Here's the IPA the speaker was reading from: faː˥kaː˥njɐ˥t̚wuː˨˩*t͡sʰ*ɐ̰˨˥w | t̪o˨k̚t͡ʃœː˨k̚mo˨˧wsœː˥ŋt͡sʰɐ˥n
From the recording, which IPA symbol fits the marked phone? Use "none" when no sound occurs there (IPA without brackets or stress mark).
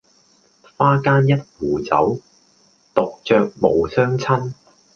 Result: t͡s